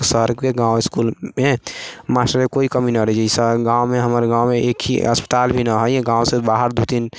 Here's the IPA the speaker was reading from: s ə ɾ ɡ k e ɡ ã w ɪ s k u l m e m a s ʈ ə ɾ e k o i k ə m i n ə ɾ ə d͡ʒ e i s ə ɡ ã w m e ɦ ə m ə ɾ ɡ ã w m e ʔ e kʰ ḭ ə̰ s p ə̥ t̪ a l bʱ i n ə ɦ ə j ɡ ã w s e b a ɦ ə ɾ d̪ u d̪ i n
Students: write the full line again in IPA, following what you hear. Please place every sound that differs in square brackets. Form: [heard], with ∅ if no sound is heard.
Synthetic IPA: s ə ɾ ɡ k e ɡ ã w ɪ s k u l m e m a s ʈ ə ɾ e k o i k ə m i n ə ɾ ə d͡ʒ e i s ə ɡ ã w m e ɦ ə m ə ɾ ɡ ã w m e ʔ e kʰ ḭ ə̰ s p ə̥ t̪ a l bʱ i n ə ɦ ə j ɡ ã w s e b a ɦ ə ɾ d̪ u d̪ i n